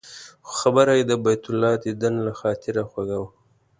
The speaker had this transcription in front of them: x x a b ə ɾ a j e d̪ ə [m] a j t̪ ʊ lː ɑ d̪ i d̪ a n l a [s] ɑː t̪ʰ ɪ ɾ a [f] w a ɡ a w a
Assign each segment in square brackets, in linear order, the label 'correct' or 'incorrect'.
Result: incorrect, incorrect, incorrect

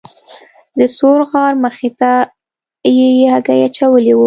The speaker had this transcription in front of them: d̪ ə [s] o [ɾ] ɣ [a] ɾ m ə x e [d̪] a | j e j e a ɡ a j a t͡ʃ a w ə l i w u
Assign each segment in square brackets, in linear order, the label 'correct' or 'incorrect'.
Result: correct, correct, incorrect, incorrect

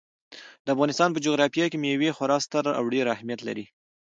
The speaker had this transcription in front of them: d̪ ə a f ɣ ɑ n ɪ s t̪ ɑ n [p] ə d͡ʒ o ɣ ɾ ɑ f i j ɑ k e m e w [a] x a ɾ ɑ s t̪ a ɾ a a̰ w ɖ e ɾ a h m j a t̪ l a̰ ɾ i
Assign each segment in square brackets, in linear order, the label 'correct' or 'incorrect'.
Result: correct, incorrect

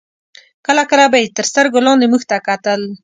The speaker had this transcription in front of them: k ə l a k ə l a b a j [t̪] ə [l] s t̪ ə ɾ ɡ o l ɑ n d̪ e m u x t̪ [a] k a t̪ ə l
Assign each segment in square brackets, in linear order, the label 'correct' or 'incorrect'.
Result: correct, incorrect, correct

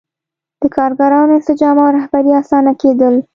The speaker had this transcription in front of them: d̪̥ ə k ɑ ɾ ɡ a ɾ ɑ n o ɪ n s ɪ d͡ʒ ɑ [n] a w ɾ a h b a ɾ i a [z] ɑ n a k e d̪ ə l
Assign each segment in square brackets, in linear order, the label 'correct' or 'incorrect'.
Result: incorrect, incorrect

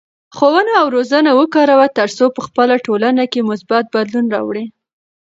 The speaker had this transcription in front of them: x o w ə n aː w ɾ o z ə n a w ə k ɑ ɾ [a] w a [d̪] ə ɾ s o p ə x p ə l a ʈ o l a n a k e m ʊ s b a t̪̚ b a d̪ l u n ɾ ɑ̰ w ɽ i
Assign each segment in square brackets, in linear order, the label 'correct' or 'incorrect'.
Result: correct, incorrect

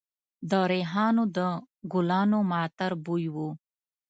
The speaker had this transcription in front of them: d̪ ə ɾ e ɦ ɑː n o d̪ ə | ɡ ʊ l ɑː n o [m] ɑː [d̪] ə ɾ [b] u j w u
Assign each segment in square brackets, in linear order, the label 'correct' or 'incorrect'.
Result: correct, incorrect, correct

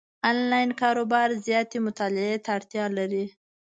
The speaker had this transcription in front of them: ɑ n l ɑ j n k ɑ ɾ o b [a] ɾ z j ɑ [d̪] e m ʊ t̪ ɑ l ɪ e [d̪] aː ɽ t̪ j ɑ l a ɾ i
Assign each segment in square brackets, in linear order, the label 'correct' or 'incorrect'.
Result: incorrect, incorrect, incorrect

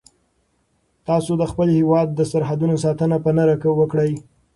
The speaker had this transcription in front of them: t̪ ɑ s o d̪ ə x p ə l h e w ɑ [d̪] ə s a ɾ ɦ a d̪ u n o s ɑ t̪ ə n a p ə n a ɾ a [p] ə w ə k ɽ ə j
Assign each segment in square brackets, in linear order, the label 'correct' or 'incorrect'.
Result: incorrect, incorrect

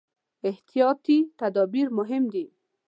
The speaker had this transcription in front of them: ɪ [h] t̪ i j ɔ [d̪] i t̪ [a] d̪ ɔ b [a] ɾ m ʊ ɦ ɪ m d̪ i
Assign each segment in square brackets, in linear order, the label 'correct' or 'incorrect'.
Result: correct, incorrect, correct, incorrect

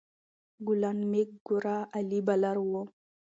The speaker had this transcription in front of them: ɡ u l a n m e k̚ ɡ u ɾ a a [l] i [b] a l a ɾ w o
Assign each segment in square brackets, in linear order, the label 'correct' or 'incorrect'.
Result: correct, correct

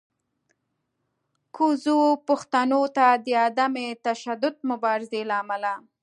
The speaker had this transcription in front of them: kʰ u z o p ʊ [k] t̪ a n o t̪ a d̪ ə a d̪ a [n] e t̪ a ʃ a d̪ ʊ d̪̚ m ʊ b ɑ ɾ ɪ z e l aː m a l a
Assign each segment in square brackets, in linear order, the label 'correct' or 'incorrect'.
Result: incorrect, incorrect

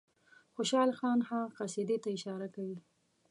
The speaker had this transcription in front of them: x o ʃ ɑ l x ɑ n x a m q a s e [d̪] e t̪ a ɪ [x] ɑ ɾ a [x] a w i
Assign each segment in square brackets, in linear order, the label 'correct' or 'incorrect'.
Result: correct, incorrect, incorrect

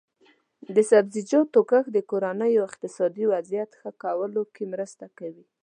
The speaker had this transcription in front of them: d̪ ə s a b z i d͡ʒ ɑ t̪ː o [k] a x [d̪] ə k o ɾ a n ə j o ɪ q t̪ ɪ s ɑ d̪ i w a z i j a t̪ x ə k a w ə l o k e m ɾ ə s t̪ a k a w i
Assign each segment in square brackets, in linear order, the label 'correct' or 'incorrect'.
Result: correct, correct

